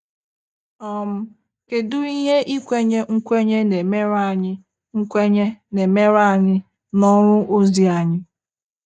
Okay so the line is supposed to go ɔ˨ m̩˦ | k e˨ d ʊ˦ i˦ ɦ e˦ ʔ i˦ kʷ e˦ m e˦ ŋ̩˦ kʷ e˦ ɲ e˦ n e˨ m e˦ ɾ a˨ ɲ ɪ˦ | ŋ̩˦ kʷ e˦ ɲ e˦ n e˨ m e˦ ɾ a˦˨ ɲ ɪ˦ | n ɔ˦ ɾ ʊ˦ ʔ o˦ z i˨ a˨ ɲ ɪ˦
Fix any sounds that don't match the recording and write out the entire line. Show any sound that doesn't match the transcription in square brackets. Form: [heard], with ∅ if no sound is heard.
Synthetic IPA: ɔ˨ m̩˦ | k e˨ d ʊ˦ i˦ ɦ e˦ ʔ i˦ kʷ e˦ [ɲ] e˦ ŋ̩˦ kʷ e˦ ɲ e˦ n e˨ m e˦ ɾ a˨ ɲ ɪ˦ | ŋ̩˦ kʷ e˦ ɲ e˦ n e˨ m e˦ ɾ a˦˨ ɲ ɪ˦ | n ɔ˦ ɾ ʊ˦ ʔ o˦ z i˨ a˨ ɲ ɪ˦